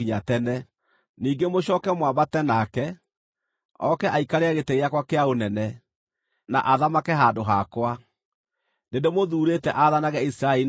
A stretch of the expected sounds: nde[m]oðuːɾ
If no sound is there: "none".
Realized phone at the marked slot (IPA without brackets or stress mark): m